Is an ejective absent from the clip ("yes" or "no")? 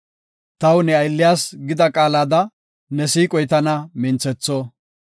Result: no